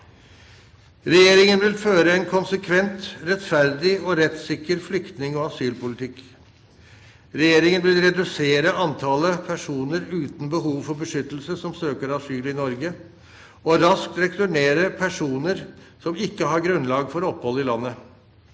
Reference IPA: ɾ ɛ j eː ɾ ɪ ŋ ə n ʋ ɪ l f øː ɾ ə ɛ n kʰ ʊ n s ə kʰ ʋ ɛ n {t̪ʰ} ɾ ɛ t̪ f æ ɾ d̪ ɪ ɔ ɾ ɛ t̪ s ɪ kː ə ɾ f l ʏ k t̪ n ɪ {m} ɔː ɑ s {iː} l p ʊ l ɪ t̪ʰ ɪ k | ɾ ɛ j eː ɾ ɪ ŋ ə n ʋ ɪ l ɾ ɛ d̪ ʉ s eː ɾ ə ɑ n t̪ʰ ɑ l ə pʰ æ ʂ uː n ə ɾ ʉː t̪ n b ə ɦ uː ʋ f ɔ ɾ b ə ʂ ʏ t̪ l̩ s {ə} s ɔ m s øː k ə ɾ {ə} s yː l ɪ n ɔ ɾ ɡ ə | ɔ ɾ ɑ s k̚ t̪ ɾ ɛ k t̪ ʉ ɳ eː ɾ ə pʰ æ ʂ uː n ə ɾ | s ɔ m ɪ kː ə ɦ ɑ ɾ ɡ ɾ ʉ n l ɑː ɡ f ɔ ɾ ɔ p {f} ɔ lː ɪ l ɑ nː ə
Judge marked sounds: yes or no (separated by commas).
no, no, no, yes, no, no